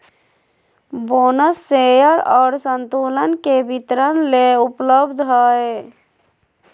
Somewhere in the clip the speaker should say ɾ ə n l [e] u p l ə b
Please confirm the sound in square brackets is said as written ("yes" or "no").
yes